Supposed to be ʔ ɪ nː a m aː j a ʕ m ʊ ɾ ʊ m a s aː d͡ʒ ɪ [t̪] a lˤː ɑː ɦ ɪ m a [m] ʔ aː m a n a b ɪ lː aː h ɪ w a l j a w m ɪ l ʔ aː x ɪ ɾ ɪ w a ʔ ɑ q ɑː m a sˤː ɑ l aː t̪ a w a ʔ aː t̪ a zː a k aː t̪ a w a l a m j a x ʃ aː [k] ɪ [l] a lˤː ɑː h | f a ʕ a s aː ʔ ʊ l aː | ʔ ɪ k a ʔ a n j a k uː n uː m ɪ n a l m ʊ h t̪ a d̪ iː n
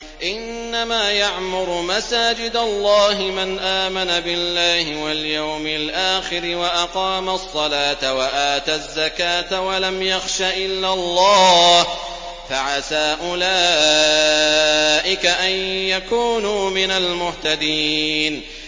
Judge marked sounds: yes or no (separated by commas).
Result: no, no, no, no